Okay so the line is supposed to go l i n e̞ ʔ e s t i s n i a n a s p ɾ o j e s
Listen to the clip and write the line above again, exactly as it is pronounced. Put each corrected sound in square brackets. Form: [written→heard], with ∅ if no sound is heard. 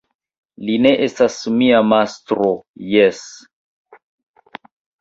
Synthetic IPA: l i n e̞ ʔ e s t [i→a] s [n→m] i a [n→m] a s [p→t] ɾ o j e s